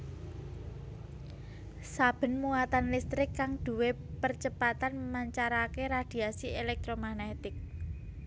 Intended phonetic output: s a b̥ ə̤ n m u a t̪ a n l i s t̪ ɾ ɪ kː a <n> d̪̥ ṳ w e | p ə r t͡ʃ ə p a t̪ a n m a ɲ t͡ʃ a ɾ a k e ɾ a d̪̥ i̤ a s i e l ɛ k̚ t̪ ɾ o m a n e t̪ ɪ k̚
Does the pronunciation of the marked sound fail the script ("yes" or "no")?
yes